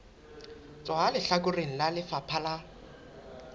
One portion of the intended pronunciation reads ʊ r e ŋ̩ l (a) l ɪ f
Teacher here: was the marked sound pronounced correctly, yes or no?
yes